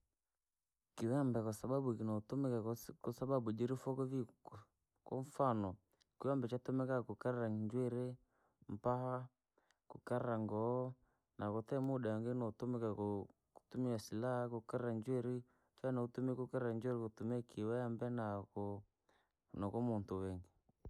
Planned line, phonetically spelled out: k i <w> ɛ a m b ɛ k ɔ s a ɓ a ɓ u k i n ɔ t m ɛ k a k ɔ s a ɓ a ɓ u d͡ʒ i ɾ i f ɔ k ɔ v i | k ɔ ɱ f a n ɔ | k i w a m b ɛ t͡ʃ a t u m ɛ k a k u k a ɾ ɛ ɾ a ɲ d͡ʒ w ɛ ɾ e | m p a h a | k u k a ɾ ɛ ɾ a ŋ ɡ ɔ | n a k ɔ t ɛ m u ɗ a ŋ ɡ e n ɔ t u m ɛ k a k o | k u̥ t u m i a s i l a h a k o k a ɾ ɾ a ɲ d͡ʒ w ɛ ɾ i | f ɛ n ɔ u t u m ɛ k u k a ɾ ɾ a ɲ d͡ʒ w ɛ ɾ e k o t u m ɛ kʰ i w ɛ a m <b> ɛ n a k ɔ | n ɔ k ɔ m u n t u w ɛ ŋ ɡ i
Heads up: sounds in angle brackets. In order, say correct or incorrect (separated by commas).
correct, correct